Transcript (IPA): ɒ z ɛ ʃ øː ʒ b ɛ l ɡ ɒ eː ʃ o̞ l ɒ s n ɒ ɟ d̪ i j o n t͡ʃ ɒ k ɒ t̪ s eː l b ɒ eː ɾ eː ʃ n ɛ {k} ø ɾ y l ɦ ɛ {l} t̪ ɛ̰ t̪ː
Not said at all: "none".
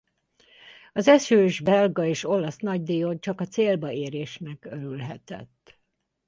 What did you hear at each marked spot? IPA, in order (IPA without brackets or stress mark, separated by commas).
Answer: k, none